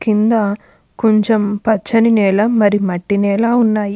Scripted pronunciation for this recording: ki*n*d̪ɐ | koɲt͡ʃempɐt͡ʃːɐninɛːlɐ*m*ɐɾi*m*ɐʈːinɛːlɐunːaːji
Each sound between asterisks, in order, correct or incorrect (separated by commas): correct, correct, correct